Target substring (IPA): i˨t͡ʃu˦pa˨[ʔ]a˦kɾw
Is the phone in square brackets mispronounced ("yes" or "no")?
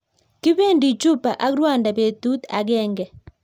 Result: no